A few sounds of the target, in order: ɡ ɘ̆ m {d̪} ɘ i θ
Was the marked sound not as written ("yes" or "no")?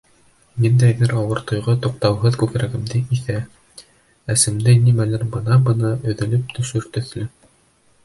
no